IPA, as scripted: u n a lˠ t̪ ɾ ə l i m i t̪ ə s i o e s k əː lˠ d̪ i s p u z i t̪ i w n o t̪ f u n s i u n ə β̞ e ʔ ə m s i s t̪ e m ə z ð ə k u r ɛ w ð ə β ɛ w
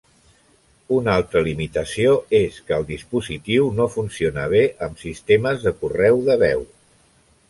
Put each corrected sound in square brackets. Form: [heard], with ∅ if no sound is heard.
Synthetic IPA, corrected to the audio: u n a lˠ t̪ ɾ ə l i m i t̪ ə s i o e s k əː lˠ d̪ i s p u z i t̪ i w n o [∅] f u n s i [o] n ə β̞ e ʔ ə m s i s t̪ e m ə z ð ə k u r ɛ w ð ə β ɛ w